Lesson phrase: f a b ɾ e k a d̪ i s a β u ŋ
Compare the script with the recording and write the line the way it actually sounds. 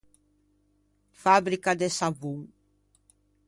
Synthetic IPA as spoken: f a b ɾ i k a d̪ e s a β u ŋ